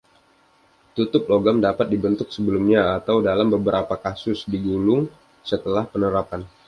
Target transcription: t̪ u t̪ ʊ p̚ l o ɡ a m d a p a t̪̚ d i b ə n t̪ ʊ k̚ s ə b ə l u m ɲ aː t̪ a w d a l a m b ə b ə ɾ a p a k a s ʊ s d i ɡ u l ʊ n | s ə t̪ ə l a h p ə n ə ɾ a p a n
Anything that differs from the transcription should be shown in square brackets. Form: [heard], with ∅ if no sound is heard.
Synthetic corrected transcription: t̪ u t̪ ʊ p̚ l o ɡ a m d a p a t̪̚ d i b ə n t̪ ʊ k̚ s ə b ə l u m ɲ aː t̪ a w d a l a m b ə b ə ɾ a p a k a s ʊ s d i ɡ u l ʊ [ŋ] | s ə t̪ ə l a h p ə n ə ɾ a p a n